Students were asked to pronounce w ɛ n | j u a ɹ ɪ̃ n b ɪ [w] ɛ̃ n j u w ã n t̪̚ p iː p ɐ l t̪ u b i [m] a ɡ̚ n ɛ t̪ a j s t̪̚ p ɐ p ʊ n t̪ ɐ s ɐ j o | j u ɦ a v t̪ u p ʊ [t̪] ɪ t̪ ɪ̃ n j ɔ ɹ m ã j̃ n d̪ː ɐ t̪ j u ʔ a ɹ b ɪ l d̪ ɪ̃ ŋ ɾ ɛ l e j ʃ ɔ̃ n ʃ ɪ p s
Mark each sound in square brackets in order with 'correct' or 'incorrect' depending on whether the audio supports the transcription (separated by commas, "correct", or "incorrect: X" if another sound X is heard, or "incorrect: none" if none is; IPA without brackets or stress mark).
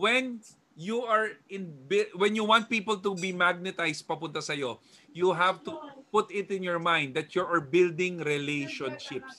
correct, correct, correct